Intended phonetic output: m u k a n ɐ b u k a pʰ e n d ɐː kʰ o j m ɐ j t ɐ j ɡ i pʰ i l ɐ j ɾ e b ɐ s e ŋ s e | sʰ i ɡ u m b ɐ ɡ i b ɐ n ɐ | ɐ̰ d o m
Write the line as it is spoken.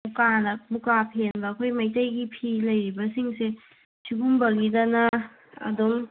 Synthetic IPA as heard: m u k a n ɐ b u k a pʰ e n b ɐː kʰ o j m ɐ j t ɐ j ɡ i pʰ i l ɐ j ɾ i b ɐ s i ŋ s e | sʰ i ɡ u m b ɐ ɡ i d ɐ n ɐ | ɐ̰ d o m

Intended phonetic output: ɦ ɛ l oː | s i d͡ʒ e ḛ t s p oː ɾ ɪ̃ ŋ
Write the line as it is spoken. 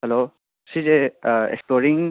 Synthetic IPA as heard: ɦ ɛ l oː | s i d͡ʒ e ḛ k s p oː ɾ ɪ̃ ŋ

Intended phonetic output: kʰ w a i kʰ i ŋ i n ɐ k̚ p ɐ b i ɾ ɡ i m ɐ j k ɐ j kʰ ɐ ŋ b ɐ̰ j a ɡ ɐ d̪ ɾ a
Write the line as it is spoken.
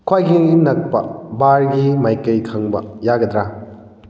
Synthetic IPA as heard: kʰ w a j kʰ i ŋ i n ɐ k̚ p ɐ b a ɾ ɡ i m a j k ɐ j kʰ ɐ ŋ b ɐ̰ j a ɡ ɐ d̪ ɾ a

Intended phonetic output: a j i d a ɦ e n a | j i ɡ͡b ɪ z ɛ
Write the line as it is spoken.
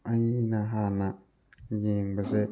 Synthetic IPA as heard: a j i n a ɦ a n a | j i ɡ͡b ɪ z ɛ

